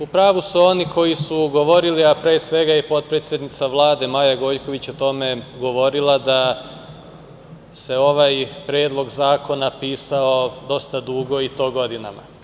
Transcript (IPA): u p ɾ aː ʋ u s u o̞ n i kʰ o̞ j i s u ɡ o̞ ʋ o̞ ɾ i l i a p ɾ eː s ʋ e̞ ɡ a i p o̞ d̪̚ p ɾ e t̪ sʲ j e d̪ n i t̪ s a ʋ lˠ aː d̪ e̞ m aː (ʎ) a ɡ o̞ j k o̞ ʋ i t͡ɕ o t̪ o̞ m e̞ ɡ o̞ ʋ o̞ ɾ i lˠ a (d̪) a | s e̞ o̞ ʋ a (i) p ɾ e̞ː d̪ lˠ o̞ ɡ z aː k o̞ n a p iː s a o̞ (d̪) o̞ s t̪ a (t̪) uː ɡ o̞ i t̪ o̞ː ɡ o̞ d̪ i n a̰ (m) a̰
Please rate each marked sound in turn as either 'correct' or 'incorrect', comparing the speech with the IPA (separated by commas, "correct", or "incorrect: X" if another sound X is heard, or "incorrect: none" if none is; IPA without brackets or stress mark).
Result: incorrect: j, correct, incorrect: j, correct, incorrect: d̪, correct